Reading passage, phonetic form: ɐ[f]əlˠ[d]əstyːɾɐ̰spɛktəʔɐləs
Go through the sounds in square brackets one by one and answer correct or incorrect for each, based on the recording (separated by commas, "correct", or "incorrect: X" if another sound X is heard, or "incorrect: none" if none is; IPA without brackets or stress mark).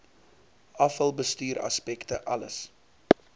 correct, incorrect: b